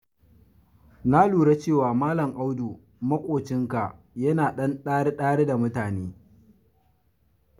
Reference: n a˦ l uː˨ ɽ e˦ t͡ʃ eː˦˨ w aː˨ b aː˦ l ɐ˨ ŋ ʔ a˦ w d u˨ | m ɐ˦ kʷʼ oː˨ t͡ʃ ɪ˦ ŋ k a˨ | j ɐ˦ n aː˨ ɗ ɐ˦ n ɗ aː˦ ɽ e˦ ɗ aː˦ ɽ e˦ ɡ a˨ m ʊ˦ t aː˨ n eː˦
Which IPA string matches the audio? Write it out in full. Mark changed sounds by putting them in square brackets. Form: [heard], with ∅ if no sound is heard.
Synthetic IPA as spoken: n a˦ l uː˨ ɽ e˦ t͡ʃ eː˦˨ w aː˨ [m] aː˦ l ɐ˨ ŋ ʔ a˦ w d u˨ | m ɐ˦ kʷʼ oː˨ t͡ʃ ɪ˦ ŋ k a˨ | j ɐ˦ n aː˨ ɗ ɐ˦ n ɗ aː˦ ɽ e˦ ɗ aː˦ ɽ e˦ [d] a˨ m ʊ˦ t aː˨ n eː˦